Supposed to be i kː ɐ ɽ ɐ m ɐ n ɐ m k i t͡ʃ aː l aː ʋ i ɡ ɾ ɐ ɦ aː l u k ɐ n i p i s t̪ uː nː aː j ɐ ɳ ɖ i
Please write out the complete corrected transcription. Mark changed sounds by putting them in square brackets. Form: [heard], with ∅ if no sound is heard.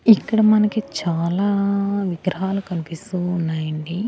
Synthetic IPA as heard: i kː ɐ ɽ ɐ m ɐ n ɐ [∅] k i t͡ʃ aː l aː ʋ i ɡ ɾ ɐ ɦ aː l u k ɐ n i p i s t̪ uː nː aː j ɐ ɳ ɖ i